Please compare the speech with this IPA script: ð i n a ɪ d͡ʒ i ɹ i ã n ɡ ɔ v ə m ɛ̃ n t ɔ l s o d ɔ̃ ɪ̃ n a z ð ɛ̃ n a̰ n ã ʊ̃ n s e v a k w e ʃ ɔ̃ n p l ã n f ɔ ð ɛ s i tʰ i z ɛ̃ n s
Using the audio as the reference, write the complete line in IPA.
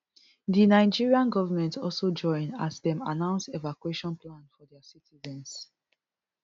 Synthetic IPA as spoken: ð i n a ɪ d͡ʒ i ɹ i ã n ɡ ɔ v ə m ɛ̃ n t ɔ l s o d͡ʒ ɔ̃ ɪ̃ n a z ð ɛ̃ m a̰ n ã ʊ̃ n s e v a k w e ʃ ɔ̃ n p l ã n f ɔ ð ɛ s i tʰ i z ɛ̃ n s